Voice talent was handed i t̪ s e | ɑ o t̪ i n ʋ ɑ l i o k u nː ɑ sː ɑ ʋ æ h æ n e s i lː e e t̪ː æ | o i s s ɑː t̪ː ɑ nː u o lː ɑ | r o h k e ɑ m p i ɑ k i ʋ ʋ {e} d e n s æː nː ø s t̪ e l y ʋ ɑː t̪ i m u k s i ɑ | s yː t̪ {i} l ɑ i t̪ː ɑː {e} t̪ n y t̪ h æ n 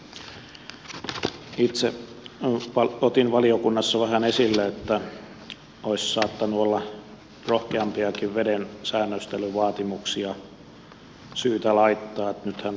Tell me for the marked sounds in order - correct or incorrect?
correct, incorrect: æ, correct

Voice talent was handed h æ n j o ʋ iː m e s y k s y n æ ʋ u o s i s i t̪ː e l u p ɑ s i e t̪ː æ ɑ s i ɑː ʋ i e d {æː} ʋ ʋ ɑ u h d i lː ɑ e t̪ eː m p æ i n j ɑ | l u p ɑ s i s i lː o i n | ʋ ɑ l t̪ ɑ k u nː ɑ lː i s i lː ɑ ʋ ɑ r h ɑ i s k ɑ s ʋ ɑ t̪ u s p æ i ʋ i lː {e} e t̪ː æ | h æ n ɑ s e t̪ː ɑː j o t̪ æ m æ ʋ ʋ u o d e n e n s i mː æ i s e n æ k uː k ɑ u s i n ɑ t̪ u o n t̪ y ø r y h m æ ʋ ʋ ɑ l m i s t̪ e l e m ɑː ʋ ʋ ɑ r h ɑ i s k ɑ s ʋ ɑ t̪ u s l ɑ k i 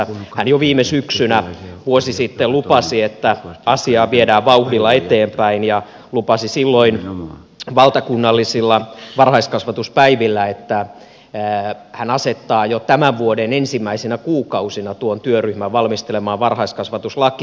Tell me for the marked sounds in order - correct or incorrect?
correct, incorrect: æ

